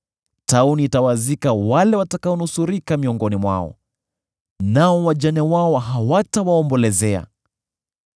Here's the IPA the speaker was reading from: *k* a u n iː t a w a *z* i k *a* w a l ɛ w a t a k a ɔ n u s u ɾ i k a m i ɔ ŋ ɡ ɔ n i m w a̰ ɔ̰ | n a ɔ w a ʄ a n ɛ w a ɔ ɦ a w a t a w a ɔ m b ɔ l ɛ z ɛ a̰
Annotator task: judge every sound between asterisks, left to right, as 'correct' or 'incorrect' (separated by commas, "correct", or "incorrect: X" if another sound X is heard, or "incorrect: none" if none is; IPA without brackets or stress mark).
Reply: incorrect: t, correct, correct